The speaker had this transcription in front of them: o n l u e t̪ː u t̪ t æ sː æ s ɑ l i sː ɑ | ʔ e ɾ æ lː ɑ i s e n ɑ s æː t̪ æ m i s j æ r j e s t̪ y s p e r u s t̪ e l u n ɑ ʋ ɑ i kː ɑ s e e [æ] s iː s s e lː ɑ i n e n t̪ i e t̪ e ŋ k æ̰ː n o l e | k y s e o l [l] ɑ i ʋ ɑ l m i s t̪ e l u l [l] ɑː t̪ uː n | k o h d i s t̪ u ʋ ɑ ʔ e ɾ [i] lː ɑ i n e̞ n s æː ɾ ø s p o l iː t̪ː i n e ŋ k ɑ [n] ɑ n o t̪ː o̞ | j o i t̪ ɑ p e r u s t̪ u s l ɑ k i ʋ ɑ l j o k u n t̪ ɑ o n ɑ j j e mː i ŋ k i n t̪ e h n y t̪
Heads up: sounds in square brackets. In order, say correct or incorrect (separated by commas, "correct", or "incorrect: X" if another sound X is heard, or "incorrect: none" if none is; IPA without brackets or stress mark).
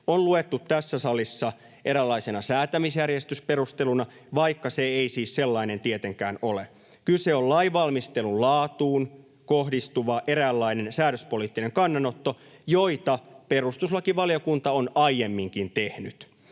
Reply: incorrect: i, correct, correct, incorrect: æ, incorrect: nː